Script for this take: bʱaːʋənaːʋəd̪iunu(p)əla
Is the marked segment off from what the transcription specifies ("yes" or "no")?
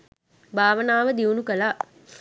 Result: yes